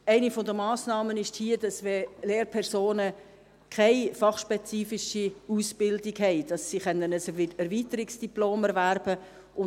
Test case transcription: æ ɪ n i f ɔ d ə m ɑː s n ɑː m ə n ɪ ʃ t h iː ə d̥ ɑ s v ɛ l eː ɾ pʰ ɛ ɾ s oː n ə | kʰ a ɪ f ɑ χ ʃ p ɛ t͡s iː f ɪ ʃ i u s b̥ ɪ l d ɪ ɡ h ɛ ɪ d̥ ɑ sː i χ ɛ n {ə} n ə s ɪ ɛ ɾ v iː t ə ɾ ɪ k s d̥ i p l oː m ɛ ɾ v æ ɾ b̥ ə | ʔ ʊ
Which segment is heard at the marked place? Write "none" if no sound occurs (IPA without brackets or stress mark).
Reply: ə